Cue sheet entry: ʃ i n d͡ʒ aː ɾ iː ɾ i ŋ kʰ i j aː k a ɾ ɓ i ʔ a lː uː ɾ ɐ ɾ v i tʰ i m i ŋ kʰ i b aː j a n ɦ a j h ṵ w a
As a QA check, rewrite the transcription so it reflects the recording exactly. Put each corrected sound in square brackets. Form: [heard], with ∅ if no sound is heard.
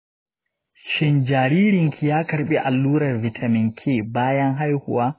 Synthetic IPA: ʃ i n d͡ʒ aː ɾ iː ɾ i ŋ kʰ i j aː k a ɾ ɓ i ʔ a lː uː ɾ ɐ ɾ v i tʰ [a] m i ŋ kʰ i b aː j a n ɦ a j h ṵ w a